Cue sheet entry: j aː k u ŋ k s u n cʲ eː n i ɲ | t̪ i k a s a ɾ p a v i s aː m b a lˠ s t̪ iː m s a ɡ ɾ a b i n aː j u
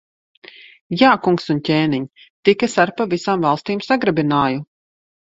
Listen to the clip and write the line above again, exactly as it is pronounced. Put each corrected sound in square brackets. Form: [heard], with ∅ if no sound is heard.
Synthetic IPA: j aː k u ŋ k s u n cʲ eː n i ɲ | t̪ i k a s a ɾ p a v i s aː m [v] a lˠ s t̪ iː m s a ɡ ɾ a b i n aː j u